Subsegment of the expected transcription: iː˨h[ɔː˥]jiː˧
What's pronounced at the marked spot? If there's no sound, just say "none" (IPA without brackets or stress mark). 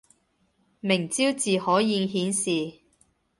ɔː˨˥